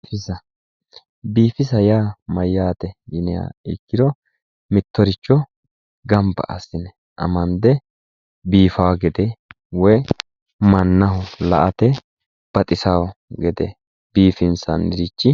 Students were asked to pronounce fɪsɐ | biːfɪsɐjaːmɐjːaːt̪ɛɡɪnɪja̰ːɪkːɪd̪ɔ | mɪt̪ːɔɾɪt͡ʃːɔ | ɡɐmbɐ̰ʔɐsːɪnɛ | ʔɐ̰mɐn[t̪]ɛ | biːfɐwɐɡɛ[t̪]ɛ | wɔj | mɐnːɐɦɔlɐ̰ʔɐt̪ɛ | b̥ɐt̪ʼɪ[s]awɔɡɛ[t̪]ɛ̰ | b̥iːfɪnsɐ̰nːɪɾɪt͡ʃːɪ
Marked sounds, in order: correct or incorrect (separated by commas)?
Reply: incorrect, incorrect, correct, incorrect